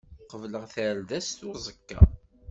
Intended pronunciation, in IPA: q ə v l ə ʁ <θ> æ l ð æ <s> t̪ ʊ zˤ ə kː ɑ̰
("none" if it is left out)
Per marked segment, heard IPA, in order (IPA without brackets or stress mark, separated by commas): θ, s